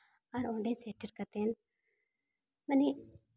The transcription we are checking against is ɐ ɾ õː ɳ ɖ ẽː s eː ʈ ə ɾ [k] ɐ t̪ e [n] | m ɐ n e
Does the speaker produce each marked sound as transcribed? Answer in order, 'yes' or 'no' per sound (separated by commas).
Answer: yes, yes